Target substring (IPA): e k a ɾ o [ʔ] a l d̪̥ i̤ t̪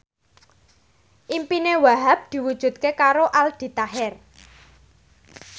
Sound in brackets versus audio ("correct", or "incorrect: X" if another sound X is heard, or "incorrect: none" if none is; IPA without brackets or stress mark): correct